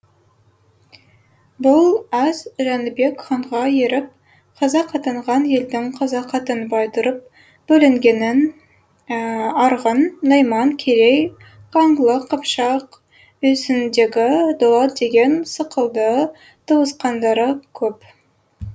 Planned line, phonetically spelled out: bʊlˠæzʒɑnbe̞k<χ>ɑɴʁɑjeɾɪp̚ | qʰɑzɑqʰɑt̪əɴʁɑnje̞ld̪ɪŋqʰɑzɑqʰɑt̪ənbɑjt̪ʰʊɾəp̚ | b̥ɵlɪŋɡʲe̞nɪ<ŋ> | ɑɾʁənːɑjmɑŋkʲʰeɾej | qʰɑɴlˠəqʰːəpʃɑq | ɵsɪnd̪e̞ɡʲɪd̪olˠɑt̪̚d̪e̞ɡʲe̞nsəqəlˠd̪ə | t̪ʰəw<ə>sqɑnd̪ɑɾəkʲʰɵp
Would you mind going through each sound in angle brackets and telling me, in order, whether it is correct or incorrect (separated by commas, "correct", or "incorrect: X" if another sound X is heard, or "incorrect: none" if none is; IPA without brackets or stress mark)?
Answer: correct, incorrect: n, correct